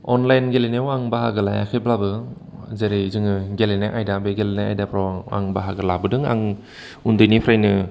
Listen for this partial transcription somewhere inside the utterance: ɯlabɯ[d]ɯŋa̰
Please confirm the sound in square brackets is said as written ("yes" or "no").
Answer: yes